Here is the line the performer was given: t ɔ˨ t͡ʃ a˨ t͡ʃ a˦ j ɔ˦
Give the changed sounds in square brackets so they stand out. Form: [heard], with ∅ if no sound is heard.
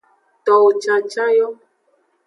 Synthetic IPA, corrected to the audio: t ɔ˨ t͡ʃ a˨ t͡ʃ a˦ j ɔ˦